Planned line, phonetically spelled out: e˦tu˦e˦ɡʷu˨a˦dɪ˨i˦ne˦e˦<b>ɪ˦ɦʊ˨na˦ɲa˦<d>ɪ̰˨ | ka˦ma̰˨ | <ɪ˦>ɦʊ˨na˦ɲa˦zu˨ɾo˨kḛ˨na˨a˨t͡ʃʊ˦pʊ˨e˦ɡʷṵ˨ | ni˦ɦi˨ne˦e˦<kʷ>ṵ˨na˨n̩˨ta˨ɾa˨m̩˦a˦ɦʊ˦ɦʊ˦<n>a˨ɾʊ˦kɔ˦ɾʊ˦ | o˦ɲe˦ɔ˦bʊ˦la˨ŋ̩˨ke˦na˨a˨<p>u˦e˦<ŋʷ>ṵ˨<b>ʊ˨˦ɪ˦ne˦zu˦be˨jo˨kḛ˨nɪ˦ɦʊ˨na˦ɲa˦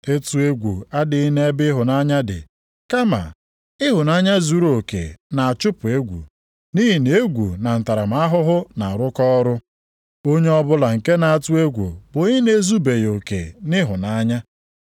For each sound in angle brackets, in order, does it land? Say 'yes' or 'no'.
yes, yes, yes, no, yes, no, no, yes

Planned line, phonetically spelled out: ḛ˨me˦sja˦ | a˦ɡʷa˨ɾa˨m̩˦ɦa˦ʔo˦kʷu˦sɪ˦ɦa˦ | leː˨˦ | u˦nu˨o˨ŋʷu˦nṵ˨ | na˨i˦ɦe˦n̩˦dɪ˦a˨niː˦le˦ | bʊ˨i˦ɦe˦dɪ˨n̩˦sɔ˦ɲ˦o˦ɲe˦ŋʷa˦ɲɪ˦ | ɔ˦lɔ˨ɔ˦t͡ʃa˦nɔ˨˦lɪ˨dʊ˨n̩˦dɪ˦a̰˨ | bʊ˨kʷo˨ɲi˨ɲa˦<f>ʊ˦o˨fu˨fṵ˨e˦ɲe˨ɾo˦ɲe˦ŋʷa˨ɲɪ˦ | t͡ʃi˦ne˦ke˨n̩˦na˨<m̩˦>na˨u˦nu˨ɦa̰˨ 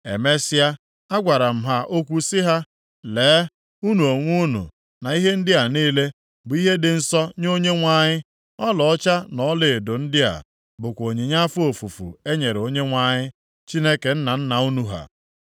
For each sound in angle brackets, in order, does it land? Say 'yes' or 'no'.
yes, no

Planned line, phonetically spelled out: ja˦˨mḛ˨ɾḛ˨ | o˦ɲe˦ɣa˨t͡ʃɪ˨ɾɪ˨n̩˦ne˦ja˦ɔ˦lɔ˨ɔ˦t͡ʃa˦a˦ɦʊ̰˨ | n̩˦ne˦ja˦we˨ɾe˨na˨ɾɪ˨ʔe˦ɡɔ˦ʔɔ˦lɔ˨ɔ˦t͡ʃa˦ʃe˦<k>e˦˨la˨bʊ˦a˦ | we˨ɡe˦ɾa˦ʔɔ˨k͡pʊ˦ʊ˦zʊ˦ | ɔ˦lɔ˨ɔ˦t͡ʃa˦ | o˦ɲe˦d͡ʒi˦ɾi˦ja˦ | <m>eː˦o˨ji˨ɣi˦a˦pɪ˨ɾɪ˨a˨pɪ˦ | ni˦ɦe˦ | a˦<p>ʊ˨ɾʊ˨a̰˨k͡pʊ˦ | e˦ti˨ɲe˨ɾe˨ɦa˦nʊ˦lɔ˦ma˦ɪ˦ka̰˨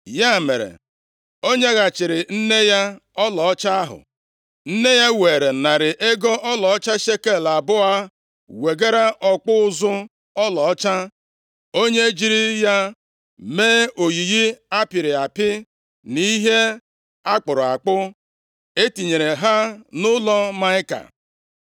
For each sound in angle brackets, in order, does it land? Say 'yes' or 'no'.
yes, yes, no

